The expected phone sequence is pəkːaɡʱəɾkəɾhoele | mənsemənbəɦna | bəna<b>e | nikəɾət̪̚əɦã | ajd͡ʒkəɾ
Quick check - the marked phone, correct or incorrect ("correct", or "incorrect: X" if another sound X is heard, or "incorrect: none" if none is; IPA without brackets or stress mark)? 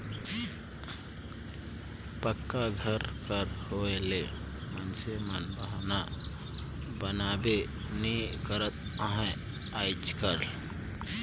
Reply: correct